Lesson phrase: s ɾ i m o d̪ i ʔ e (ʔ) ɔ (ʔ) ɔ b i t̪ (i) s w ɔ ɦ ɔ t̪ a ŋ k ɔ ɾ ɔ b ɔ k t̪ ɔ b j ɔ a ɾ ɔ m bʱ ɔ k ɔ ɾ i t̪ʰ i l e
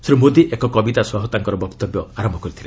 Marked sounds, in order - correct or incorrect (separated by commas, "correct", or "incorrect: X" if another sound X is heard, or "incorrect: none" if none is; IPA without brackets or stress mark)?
incorrect: k, incorrect: k, incorrect: a